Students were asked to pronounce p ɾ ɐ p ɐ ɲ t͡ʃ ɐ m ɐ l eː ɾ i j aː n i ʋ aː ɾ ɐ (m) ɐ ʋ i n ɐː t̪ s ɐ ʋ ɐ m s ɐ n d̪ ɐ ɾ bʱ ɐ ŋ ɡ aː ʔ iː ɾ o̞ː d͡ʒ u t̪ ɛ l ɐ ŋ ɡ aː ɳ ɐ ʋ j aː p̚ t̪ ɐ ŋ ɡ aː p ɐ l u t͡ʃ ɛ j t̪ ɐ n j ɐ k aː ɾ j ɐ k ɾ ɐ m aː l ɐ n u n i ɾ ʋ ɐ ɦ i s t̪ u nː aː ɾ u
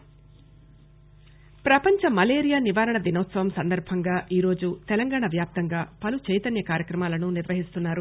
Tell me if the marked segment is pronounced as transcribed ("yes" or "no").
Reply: no